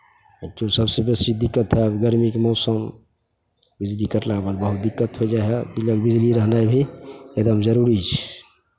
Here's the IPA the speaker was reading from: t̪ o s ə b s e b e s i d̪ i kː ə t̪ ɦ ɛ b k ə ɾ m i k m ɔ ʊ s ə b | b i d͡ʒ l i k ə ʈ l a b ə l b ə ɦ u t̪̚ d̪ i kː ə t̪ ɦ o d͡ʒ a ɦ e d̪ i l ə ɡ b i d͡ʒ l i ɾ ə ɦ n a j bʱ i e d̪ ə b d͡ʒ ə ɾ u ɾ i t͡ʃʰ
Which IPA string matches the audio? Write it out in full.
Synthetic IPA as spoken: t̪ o s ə b s e b e s i d̪ i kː ə t̪ ɦ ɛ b ɡ ə ɾ m i k m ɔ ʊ s ə m | b i d͡ʒ l i k ə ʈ l a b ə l b ə ɦ u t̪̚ d̪ i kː ə t̪ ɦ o d͡ʒ a ɦ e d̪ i l ə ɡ b i d͡ʒ l i ɾ ə ɦ n a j bʱ i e d̪ ə m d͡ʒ ə ɾ u ɾ i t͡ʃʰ

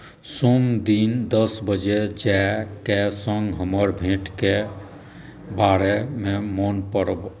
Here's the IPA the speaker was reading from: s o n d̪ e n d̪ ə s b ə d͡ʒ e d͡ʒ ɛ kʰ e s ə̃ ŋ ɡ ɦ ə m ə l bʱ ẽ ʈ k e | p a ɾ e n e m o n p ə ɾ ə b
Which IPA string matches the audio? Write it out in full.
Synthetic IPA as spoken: s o m d̪ i n d̪ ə s b ə d͡ʒ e d͡ʒ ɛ k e s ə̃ ŋ ɡ ɦ ə m ə ɾ bʱ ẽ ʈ k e | b a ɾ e m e m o n p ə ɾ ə b

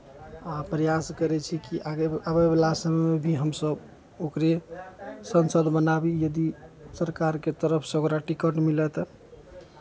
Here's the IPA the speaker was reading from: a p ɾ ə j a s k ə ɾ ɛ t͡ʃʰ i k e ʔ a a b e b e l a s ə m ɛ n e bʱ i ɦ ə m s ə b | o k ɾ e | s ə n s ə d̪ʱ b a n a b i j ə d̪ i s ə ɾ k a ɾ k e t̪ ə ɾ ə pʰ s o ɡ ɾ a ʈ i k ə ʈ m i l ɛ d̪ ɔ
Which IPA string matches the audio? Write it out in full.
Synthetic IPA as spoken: a p ɾ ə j a s k ə ɾ ɛ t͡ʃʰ i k i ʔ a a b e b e l a s ə m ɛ m e bʱ i ɦ ə m s ə b | o k ɾ e | s ə n s ə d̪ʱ b ə n a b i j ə d̪ i s ə ɾ k a ɾ k e t̪ ə ɾ ə pʰ s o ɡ ɾ a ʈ i k ə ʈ m i l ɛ t̪ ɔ

